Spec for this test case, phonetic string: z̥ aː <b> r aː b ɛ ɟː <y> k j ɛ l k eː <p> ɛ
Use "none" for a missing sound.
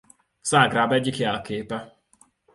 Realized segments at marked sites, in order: ɡ, i, p

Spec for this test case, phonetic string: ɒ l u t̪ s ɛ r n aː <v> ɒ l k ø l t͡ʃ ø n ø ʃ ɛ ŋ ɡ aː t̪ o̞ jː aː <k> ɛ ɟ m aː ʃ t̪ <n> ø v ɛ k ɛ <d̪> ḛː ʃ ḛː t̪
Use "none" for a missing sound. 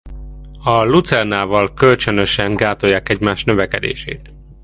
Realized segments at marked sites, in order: v, k, n, d̪

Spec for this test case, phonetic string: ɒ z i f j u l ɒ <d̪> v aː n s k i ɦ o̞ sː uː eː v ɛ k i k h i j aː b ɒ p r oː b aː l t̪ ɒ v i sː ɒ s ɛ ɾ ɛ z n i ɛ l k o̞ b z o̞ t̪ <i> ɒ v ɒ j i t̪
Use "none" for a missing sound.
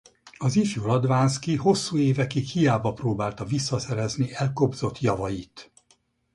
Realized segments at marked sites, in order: d̪, j

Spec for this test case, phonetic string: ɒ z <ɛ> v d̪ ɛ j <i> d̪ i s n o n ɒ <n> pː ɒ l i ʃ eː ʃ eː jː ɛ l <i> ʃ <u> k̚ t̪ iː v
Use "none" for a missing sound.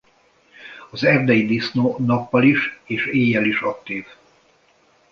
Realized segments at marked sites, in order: ɛ, i, none, i, ɒ

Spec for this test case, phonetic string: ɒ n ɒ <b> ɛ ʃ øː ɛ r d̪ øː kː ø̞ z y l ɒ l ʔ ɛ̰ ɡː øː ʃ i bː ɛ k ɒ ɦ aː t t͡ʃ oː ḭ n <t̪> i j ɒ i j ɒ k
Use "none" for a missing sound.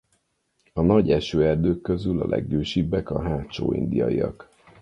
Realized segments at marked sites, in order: ɟ, d̪

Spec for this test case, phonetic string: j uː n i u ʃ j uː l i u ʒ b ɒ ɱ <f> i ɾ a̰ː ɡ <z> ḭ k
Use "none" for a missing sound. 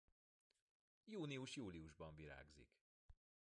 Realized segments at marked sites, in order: v, z

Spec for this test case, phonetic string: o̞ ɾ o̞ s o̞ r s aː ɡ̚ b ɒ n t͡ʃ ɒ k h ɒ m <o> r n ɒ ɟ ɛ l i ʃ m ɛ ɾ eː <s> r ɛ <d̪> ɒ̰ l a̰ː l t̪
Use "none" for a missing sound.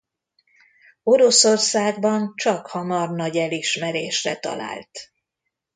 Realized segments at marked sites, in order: ɒ, ʃ, t̪

